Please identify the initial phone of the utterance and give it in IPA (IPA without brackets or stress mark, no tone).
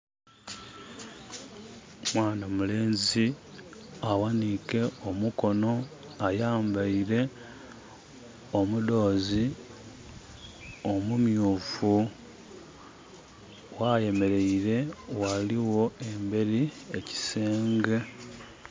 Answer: m